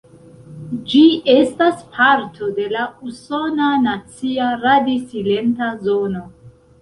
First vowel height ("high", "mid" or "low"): high